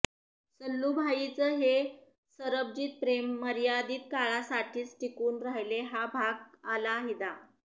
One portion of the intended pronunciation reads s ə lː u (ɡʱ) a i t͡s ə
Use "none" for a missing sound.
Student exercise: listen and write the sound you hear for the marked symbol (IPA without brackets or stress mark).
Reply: bʱ